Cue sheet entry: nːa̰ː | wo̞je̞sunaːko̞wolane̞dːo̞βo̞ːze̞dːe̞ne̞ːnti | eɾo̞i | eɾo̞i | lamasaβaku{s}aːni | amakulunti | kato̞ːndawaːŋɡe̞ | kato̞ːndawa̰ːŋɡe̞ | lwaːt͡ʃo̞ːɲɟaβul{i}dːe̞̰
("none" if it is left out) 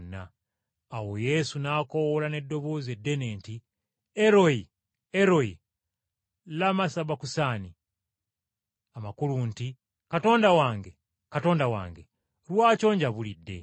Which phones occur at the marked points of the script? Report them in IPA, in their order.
s, i

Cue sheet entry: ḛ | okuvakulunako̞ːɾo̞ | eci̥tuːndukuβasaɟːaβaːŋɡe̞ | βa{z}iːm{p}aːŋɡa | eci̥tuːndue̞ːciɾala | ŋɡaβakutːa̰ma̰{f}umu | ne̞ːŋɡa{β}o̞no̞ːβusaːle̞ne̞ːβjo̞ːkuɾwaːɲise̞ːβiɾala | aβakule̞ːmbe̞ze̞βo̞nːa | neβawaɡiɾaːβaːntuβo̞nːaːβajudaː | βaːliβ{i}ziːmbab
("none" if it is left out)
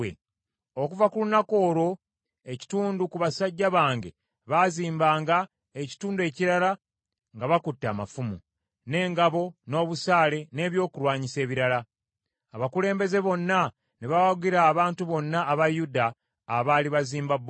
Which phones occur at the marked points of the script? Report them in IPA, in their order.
z, b, f, β, a

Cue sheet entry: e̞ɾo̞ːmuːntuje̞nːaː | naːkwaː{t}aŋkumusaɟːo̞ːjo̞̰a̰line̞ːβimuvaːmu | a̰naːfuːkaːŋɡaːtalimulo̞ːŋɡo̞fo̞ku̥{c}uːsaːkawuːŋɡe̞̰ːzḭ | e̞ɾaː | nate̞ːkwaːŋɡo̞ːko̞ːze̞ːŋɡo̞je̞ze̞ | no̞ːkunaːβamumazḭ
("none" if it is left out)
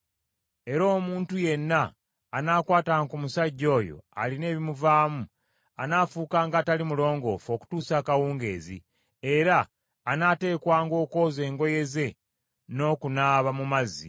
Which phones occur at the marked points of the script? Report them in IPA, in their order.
t, t

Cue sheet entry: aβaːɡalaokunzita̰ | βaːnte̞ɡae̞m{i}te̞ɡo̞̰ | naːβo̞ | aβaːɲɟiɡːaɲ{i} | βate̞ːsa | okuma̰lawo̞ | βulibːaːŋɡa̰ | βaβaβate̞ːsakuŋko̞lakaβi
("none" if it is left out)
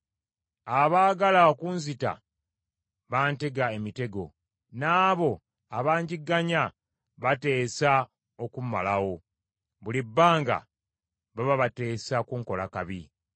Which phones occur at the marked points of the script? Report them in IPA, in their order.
i, a

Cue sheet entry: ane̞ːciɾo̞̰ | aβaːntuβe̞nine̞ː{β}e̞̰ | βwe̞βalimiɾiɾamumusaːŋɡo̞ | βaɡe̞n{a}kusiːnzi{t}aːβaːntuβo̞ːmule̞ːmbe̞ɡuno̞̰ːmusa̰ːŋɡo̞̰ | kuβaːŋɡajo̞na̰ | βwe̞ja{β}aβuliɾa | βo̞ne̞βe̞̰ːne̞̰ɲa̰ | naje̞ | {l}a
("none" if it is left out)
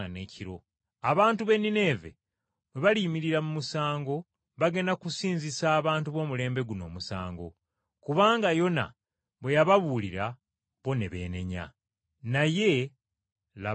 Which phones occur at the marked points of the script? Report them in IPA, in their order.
v, a, s, β, l

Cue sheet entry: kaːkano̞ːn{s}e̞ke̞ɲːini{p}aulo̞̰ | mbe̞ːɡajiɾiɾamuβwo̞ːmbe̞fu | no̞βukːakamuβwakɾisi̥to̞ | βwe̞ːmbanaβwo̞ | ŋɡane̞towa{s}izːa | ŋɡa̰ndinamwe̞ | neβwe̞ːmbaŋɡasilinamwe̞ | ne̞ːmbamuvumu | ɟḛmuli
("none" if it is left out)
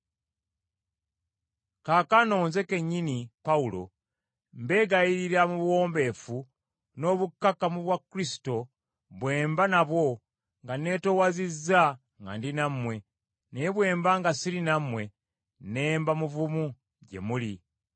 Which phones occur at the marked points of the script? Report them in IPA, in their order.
z, p, z

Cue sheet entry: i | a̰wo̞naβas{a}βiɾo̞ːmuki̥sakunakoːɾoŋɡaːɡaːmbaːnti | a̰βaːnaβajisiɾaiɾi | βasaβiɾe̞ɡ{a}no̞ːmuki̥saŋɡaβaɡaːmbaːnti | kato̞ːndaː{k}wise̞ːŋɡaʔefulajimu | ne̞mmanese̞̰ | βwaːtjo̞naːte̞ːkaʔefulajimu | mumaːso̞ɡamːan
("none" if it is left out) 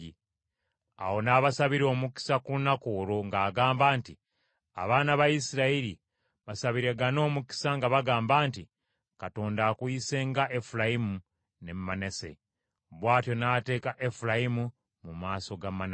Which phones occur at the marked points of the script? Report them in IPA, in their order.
a, a, k

